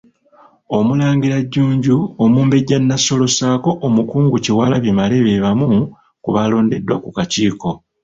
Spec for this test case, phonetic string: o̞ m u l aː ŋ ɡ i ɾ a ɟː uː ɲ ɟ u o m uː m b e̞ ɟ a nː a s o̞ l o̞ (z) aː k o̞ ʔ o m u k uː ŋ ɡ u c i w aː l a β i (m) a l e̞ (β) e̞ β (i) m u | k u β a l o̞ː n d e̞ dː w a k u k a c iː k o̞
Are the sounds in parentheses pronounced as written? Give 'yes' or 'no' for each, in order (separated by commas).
no, yes, yes, no